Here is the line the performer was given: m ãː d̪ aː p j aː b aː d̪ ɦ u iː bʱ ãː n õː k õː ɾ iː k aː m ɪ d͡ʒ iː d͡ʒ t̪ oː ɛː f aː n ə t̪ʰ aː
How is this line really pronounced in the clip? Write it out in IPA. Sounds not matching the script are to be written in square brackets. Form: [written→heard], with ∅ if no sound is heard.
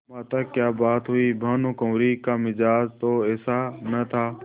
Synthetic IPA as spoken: m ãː [d̪→t̪] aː [p→k] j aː b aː [d̪→t̪] ɦ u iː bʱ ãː n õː k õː ɾ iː k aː m ɪ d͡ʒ [iː→aː] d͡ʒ t̪ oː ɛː [f→s] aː n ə t̪ʰ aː

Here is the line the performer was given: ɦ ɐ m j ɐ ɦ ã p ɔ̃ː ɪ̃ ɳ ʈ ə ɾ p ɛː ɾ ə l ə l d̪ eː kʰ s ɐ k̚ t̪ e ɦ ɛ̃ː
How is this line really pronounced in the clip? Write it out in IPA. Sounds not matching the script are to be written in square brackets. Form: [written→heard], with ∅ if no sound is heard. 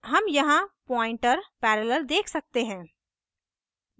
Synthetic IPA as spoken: ɦ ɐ m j ɐ ɦ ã p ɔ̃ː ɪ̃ ɳ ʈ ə ɾ p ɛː ɾ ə l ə l d̪ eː kʰ s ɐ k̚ t̪ e ɦ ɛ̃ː

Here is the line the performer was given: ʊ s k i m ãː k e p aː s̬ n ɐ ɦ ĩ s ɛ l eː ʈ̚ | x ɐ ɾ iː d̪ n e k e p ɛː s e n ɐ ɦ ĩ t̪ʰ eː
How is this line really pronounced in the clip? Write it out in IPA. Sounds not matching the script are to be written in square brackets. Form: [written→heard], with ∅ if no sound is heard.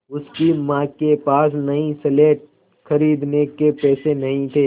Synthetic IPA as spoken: ʊ s k i m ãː k e p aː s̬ n ɐ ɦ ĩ s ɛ l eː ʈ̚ | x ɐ ɾ iː d̪ n e k e p ɛː s e n ɐ ɦ ĩ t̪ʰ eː

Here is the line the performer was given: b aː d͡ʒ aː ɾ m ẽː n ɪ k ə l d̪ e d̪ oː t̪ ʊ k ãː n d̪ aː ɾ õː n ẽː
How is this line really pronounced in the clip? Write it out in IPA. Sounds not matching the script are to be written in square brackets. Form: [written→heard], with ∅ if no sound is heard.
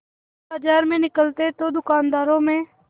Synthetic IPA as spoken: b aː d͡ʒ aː ɾ m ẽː n ɪ k ə l [d̪→t̪] e [d̪→t̪] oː [t̪→d̪] ʊ k [ãː→aː] n d̪ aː ɾ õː [n→m] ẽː

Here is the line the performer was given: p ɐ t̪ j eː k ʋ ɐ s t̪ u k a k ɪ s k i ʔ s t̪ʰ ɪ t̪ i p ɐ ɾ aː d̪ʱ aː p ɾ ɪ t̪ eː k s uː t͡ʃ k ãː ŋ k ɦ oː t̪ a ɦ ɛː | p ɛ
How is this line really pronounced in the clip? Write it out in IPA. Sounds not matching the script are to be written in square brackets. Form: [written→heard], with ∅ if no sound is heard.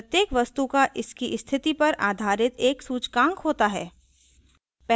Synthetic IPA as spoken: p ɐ t̪ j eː k ʋ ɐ s t̪ u k a [k→ʔ] ɪ s k i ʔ s t̪ʰ ɪ t̪ i p ɐ ɾ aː d̪ʱ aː [p→∅] ɾ ɪ t̪ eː k s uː t͡ʃ k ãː ŋ k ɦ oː t̪ a ɦ ɛː | p ɛ

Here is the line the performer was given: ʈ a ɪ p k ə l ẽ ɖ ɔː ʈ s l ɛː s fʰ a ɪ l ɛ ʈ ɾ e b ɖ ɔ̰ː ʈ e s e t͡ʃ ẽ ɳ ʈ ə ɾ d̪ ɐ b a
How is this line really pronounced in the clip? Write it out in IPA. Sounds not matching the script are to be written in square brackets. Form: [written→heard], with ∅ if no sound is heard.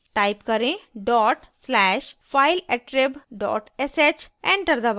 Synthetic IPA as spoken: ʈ a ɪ p k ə [l→ɾ] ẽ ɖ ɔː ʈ s l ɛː [s→ʃ] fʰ a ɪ l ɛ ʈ ɾ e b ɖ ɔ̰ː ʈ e s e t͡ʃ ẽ ɳ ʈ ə ɾ d̪ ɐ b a

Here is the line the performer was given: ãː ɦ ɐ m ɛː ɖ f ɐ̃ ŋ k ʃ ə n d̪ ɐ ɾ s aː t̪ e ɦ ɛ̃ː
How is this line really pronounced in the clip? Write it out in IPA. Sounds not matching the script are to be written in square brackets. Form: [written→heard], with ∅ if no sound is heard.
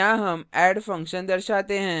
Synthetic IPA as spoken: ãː ɦ ɐ m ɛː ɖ f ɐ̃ ŋ k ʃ ə n d̪ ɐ ɾ [s→ʃ] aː t̪ e ɦ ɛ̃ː

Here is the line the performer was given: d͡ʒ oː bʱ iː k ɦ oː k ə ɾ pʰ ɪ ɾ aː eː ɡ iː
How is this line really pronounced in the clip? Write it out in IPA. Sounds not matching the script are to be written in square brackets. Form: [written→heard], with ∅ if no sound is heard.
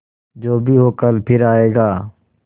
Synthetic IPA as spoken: d͡ʒ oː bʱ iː [k→∅] ɦ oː k ə [ɾ→l] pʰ ɪ ɾ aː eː ɡ [iː→aː]

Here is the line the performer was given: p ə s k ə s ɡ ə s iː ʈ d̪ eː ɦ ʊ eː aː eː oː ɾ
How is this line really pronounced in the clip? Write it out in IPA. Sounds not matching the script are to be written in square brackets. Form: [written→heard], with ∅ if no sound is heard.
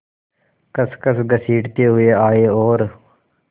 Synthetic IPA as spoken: [p→k] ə s k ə s ɡ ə s iː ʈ [d̪→t̪] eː ɦ ʊ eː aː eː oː ɾ

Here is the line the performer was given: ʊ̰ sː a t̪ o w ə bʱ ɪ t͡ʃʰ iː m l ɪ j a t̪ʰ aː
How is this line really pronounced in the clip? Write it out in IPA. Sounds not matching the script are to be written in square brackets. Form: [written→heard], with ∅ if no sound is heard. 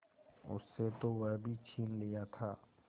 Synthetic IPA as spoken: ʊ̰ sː [a→e] t̪ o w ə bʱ [ɪ→i] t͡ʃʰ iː [m→n] l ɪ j a t̪ʰ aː

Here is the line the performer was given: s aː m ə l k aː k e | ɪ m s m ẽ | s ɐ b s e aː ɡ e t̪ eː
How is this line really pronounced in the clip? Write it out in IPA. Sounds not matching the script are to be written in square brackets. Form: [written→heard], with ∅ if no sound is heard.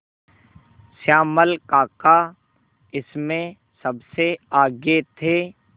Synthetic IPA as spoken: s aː m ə l k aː k [e→a] | ɪ [m→∅] s m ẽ | s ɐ b s e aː ɡ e [t̪→t̪ʰ] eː

